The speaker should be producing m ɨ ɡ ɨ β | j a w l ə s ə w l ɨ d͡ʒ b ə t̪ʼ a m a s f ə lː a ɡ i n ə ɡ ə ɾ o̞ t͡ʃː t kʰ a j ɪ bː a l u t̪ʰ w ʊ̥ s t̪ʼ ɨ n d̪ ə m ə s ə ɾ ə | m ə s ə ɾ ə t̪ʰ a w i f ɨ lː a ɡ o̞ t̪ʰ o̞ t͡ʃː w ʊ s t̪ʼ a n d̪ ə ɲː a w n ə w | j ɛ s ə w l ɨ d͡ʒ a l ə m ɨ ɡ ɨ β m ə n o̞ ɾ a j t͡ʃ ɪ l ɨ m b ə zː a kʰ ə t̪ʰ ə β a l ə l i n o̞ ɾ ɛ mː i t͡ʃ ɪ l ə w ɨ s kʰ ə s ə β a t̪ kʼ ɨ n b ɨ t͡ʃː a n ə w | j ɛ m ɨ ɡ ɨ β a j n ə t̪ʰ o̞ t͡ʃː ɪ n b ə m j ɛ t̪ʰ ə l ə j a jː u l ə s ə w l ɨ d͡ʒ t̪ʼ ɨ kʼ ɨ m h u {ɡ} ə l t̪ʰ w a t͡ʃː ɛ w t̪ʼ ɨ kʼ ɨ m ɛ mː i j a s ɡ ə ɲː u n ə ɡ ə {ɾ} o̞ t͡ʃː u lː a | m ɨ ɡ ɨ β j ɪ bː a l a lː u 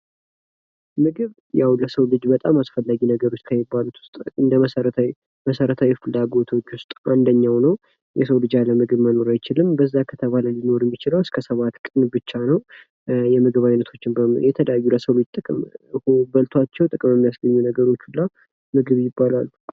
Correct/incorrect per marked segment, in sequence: incorrect, correct

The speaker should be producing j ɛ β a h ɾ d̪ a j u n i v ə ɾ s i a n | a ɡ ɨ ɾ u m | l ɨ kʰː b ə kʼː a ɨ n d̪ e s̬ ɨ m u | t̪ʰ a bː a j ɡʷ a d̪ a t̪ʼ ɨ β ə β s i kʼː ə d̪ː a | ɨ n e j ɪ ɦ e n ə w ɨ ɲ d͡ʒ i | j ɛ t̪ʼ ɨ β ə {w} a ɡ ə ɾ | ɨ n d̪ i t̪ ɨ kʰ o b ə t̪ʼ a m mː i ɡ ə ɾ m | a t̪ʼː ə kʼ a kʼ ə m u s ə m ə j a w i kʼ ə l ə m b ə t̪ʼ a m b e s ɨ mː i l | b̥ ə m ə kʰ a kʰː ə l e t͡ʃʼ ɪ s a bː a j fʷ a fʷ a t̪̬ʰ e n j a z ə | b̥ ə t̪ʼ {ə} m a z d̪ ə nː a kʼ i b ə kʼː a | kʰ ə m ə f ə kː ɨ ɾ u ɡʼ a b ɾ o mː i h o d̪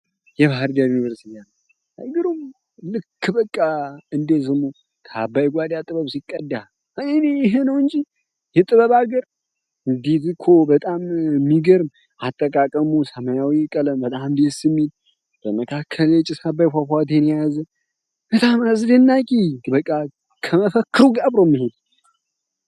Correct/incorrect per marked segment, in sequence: incorrect, incorrect

